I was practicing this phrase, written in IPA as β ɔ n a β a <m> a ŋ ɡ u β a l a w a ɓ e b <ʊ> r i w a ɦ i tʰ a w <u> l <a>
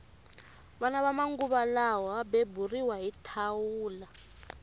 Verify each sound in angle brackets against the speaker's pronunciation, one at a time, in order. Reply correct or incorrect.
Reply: correct, incorrect: u, incorrect: uː, correct

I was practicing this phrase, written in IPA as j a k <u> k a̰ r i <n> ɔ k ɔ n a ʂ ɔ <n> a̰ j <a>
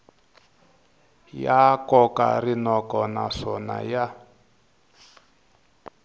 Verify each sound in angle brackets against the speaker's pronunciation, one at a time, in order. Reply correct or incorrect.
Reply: incorrect: ɔ, correct, correct, correct

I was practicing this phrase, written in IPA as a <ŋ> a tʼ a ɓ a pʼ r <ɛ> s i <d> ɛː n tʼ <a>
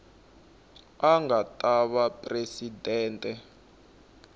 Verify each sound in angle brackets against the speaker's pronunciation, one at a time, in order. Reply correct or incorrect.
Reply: correct, incorrect: e, correct, incorrect: ɛ

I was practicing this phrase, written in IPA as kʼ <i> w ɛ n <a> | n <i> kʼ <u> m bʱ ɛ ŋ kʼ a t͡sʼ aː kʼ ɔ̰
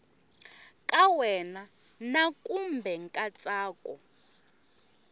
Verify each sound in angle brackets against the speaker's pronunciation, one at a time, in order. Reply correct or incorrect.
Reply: incorrect: a, correct, incorrect: a, correct

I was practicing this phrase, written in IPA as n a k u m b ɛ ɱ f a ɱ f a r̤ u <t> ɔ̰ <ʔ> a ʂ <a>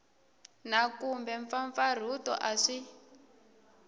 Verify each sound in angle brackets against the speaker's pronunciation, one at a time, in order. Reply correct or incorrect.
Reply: correct, correct, incorrect: i

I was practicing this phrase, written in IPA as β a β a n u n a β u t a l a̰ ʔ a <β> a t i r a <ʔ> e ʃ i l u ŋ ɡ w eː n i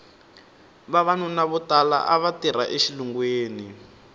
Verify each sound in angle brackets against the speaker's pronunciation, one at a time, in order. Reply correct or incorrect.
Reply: correct, correct

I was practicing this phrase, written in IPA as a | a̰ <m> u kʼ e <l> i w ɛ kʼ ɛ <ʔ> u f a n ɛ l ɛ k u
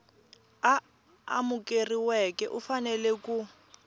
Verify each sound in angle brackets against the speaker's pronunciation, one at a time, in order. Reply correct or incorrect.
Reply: correct, incorrect: r, correct

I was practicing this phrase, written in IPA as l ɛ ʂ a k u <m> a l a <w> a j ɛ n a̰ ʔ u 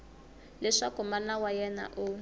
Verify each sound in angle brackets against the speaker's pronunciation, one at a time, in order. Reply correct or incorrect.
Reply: correct, correct

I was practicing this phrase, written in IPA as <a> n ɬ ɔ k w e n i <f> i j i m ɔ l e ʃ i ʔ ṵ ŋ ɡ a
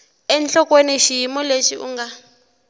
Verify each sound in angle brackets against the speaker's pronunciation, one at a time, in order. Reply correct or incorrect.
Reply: incorrect: ɛ, incorrect: ʃ

